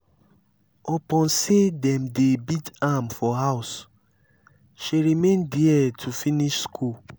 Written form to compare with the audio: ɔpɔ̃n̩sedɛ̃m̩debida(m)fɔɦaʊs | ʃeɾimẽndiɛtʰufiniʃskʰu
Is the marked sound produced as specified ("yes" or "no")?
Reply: yes